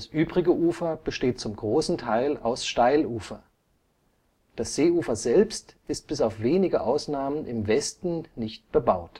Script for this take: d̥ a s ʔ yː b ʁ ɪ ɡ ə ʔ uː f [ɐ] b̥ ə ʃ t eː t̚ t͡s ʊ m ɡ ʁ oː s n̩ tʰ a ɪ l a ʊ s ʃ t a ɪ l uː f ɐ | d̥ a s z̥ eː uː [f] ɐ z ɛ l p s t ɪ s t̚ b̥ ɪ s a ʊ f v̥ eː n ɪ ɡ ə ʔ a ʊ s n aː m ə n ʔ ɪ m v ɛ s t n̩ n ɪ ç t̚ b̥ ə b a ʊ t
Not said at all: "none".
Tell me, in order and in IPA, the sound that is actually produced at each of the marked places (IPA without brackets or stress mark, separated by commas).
ɐ, f